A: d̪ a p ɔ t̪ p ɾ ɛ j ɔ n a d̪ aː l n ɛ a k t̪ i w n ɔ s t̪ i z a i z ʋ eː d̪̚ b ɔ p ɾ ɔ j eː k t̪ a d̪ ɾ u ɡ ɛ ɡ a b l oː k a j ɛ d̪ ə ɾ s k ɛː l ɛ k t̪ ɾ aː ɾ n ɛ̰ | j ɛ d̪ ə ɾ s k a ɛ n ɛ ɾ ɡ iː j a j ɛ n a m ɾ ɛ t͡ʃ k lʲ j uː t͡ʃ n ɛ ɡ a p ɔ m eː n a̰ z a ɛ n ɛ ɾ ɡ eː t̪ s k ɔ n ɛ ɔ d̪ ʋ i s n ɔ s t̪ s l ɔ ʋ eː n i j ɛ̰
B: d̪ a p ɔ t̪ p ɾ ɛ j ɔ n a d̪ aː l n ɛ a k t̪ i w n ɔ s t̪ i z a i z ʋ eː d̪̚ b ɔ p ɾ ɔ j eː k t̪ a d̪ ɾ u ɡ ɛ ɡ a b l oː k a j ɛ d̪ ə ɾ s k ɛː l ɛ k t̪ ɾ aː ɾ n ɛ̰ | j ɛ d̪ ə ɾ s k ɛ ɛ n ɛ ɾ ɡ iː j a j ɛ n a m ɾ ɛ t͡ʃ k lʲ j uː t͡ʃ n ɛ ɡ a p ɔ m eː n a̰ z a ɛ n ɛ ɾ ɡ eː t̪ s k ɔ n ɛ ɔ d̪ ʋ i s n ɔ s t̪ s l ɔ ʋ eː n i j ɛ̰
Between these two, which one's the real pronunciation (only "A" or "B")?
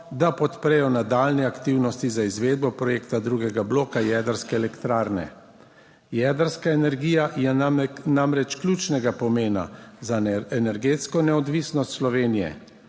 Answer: A